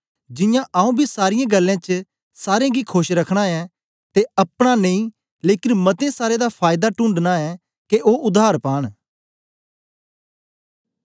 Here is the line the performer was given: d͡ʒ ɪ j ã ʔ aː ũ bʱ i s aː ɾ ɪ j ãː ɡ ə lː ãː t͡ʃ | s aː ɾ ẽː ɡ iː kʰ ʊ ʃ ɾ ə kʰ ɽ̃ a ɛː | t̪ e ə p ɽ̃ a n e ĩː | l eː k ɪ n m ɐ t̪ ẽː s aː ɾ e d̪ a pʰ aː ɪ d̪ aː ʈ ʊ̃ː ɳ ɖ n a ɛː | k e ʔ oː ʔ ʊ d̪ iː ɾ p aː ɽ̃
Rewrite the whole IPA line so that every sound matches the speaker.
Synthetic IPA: d͡ʒ ɪ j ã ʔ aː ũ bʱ i s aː ɾ ɪ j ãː ɡ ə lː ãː t͡ʃ | s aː ɾ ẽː ɡ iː kʰ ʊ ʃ ɾ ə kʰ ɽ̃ a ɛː | t̪ e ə p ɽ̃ a n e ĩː | l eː k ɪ n m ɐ t̪ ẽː s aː ɾ e d̪ a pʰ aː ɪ d̪ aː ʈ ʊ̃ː ɳ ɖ n a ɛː | k e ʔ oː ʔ ʊ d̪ aː ɾ p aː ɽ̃